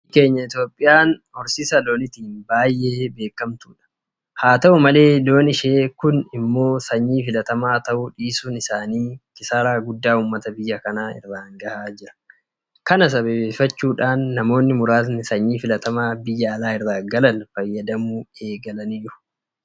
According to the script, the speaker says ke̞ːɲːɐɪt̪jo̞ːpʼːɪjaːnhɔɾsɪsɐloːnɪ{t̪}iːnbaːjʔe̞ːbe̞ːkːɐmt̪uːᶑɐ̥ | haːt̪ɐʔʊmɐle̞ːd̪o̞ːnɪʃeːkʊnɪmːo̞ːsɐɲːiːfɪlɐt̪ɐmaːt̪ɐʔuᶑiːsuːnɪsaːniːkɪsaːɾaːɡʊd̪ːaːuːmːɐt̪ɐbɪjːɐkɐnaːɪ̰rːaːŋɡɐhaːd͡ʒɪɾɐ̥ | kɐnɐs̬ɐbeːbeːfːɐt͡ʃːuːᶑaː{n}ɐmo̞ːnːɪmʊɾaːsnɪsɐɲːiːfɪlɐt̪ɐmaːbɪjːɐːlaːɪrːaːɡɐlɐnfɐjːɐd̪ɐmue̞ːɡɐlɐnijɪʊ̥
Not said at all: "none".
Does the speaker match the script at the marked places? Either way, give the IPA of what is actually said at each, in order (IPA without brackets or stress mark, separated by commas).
t̪, nː